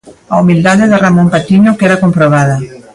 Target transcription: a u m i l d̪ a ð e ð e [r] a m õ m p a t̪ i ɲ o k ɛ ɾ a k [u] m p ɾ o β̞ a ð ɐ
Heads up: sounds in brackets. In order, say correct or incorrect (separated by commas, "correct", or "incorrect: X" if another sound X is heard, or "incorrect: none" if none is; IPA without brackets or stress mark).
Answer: correct, incorrect: o